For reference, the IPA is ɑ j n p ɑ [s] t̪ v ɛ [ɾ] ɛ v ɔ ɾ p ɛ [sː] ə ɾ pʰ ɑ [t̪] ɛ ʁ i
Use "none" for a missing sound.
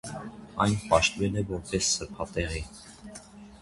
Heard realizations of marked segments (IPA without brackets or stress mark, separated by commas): ʃ, l, sː, t̪